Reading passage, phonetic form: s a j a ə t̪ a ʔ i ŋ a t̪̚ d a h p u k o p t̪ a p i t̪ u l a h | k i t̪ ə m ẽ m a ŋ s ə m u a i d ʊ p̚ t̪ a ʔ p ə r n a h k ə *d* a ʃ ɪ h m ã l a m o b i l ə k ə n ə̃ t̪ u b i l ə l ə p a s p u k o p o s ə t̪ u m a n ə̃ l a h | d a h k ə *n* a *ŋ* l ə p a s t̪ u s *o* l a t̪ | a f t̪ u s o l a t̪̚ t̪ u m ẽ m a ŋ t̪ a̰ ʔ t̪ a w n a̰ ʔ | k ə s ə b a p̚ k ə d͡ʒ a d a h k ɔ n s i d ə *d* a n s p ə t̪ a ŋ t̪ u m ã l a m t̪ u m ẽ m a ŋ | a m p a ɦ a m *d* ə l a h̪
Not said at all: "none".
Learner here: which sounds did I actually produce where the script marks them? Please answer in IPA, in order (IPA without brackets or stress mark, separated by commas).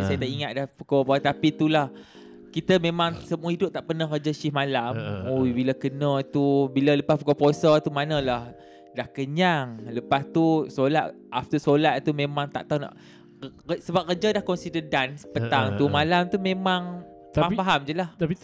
d͡ʒ, ɲ, ŋ, o, d, d͡ʒ